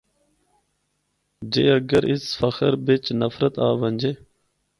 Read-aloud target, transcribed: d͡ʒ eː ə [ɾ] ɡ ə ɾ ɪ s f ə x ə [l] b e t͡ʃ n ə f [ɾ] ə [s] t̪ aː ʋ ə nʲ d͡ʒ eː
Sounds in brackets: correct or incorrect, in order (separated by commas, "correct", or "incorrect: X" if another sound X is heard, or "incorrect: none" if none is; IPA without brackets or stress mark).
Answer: incorrect: none, incorrect: ɾ, correct, incorrect: none